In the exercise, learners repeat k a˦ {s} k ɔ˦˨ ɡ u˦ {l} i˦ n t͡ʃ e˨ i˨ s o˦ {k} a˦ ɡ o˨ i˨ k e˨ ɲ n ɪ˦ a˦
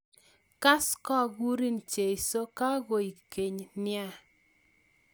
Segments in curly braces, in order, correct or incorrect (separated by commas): correct, incorrect, correct